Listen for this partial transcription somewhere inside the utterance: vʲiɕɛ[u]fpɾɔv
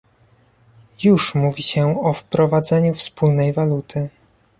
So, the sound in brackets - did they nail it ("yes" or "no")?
no